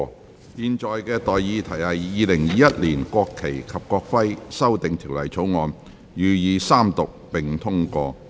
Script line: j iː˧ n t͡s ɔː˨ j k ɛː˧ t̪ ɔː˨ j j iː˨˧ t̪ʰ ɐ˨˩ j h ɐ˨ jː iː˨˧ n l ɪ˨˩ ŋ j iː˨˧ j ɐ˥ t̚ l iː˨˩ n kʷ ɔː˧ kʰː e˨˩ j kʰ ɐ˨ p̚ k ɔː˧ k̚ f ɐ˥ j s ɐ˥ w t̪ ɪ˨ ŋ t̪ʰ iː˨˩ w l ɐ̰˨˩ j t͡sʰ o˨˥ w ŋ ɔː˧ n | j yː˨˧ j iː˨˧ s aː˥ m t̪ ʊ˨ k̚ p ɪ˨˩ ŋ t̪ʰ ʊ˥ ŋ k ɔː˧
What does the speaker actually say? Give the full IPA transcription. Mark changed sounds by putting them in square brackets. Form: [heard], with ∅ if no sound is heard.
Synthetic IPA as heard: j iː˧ n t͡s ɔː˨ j k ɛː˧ t̪ ɔː˨ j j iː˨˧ t̪ʰ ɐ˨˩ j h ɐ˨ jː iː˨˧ [∅] l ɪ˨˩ ŋ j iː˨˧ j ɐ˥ t̚ l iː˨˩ n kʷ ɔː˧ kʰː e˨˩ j kʰ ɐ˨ p̚ k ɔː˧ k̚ f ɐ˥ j s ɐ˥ w t̪ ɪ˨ ŋ t̪ʰ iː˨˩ w l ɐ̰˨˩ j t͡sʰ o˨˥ w ŋ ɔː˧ n | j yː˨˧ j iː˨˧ s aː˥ m t̪ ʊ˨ k̚ p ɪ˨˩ ŋ t̪ʰ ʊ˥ ŋ k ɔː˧